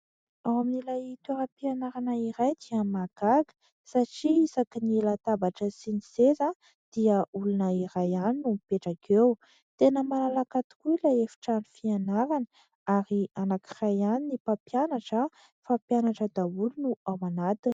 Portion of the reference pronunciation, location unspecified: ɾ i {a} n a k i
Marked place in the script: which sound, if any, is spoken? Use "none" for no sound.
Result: a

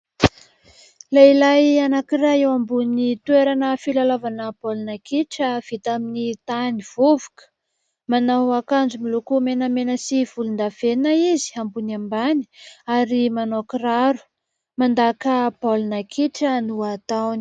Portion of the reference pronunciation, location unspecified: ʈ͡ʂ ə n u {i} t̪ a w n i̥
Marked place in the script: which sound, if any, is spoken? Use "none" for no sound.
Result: a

